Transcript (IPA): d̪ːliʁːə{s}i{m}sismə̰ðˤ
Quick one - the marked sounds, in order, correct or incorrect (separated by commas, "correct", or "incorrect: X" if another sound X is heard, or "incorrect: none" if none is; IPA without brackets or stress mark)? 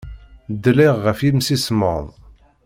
incorrect: f, correct